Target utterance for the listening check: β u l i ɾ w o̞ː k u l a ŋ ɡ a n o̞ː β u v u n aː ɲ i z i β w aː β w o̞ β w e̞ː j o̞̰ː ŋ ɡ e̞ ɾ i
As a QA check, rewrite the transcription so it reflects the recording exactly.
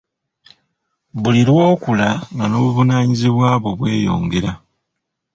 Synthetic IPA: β u l i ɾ w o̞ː k u l a ŋ ɡ a n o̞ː β u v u n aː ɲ i z i β w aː β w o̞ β w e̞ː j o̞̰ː ŋ ɡ e̞ ɾ a